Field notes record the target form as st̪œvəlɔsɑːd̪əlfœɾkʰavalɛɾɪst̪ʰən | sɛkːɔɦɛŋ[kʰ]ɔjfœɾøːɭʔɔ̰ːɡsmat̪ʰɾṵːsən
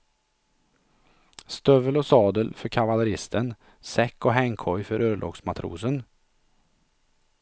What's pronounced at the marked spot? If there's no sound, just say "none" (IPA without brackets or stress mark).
kʰ